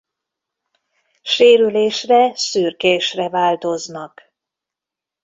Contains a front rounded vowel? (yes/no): yes